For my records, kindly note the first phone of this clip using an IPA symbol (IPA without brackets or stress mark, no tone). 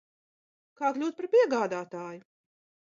k